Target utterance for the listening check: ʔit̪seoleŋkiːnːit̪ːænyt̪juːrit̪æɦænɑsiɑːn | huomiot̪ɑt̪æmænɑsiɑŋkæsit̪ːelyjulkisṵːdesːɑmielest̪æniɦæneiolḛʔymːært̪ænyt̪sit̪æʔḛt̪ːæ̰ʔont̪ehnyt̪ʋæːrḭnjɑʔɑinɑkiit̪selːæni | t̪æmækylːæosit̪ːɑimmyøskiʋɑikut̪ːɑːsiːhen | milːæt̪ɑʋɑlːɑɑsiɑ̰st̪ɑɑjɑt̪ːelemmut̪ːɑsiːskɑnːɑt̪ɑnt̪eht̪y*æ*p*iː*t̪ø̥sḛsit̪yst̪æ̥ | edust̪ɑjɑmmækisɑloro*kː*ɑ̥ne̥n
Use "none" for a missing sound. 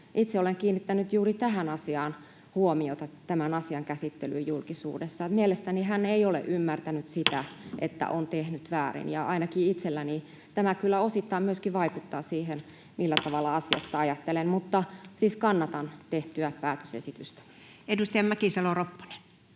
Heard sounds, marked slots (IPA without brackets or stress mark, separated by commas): æ, æː, pː